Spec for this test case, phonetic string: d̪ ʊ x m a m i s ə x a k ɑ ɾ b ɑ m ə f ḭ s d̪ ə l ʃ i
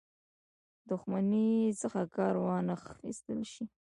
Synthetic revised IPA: d̪ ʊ x m a n i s ə x a k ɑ ɾ w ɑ n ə x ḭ s t̪ ə l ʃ i